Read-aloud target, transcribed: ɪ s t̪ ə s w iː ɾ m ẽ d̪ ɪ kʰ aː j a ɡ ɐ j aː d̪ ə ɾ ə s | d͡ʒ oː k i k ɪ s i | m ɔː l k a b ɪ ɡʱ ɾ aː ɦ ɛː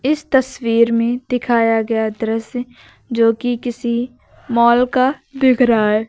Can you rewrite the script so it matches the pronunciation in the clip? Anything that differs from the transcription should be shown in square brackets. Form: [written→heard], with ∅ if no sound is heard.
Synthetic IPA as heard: ɪ s t̪ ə s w iː ɾ m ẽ d̪ ɪ kʰ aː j a ɡ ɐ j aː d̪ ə ɾ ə s | d͡ʒ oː k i k ɪ s i | m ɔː l k a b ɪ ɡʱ ɾ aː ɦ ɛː